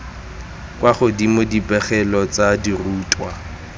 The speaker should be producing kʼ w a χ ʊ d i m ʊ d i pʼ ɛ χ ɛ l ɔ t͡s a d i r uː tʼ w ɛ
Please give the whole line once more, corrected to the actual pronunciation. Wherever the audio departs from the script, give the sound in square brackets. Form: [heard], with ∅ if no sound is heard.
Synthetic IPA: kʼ w a χ ʊ d i m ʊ d i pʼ ɛ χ ɛ l ɔ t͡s a d i r uː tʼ w [a]